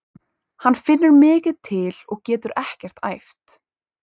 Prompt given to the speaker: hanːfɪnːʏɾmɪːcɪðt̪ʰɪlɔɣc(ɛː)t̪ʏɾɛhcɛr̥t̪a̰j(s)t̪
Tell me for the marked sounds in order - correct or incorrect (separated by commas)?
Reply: correct, incorrect